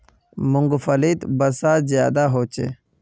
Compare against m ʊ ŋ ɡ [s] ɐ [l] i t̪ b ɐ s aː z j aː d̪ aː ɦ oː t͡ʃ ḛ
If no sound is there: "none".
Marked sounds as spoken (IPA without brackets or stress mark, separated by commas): f, l